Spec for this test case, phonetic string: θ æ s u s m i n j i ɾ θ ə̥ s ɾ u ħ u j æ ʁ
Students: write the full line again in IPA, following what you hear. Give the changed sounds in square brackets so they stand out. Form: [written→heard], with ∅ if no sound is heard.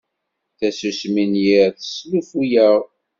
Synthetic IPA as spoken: θ æ s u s m i n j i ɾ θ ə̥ s [ɾ→l] u [ħ→f] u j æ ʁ